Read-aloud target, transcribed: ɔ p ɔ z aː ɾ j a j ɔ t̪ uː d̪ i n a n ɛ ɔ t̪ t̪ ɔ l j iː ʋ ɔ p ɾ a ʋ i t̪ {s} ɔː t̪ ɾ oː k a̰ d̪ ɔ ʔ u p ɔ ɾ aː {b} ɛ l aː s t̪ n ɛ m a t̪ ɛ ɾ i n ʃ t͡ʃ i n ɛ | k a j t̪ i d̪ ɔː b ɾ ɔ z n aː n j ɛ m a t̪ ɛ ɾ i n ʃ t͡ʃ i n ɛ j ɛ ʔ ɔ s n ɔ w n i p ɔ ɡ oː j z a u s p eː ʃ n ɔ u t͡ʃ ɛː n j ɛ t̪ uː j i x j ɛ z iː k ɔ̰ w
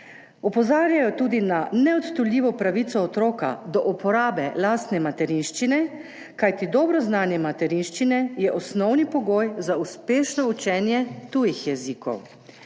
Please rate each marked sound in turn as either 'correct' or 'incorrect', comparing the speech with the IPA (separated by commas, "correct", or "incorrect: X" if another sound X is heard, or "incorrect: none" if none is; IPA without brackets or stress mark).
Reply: correct, correct